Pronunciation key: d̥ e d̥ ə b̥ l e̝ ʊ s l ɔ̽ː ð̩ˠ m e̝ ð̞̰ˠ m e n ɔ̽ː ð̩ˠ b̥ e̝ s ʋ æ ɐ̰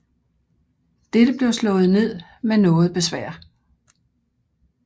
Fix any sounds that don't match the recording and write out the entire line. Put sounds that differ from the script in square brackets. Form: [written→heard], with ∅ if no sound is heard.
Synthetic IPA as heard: d̥ e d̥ ə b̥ l e̝ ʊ s l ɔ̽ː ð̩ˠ [m→n] e̝ ð̞̰ˠ m e n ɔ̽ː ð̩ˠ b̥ e̝ s ʋ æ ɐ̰